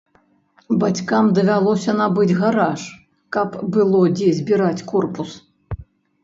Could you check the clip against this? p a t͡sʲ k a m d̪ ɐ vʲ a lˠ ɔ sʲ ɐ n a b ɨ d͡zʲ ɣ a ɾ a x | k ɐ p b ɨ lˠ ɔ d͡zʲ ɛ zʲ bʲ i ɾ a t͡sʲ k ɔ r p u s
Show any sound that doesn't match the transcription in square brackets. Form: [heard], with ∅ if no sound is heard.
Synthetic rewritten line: [b] a t͡sʲ k a m d̪ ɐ vʲ a lˠ ɔ sʲ ɐ n a b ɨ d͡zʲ ɣ a ɾ a [ʂ] | k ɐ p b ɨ lˠ ɔ d͡zʲ ɛ zʲ bʲ i ɾ a t͡sʲ k ɔ r p u s